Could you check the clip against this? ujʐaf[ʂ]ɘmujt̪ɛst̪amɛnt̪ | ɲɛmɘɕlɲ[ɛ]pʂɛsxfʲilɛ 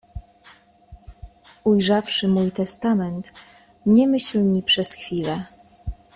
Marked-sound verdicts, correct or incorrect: correct, incorrect

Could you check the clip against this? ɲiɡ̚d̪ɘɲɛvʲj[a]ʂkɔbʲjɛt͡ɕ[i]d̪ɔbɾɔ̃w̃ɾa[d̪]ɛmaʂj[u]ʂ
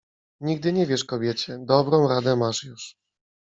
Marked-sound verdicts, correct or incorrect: incorrect, incorrect, correct, correct

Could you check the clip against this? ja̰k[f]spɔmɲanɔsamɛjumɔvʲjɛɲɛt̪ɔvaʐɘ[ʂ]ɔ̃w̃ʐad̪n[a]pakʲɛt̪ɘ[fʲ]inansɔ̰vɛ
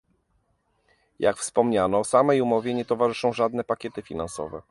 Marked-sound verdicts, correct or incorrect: correct, correct, incorrect, correct

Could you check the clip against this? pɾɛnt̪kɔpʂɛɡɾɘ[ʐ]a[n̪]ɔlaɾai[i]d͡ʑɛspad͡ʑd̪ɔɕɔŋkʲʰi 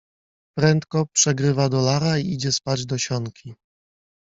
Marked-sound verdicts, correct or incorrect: incorrect, incorrect, correct

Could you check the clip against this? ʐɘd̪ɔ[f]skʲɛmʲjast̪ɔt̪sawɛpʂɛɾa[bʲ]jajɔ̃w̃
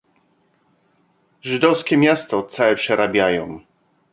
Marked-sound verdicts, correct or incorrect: correct, correct

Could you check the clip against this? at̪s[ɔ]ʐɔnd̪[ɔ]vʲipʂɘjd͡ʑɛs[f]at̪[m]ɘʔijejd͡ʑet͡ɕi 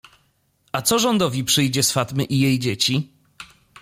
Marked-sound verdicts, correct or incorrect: correct, correct, correct, correct

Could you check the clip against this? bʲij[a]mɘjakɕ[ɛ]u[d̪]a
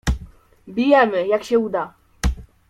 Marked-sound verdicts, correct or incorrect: incorrect, correct, correct

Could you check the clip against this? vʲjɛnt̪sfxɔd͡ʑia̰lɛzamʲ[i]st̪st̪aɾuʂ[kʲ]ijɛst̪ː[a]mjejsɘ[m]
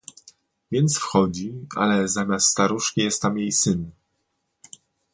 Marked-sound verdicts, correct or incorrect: incorrect, correct, correct, incorrect

